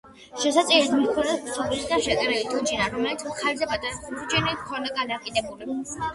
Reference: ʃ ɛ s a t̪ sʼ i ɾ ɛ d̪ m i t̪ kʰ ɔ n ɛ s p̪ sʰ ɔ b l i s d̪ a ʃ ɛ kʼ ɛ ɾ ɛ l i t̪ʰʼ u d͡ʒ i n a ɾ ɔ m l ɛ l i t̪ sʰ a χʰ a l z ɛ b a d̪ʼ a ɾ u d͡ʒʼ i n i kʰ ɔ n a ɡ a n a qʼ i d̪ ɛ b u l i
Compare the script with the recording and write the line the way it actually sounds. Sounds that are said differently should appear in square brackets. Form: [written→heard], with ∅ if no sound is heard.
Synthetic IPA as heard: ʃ ɛ s a t̪ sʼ i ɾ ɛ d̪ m i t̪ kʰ ɔ n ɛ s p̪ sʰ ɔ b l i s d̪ a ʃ ɛ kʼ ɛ ɾ ɛ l i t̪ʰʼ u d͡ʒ i n a ɾ ɔ m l ɛ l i t̪ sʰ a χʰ a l z ɛ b a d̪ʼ a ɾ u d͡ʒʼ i n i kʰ ɔ n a ɡ a n a qʼ i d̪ ɛ b u l i